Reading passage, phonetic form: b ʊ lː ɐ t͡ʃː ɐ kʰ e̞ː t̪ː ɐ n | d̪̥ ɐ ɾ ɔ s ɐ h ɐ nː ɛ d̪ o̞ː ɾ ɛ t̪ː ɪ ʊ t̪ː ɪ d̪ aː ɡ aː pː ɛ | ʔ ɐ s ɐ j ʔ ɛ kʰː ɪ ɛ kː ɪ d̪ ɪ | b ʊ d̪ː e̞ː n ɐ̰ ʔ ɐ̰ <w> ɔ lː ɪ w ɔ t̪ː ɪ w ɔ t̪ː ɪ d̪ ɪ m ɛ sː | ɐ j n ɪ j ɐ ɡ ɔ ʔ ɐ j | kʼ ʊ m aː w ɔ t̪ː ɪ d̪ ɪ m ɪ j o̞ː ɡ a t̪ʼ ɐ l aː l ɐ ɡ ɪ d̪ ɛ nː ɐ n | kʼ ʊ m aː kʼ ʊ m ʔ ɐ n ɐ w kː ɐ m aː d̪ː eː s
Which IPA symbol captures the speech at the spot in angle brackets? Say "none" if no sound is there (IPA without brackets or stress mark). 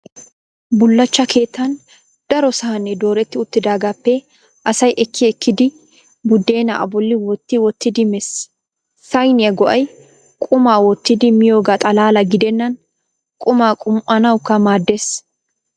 b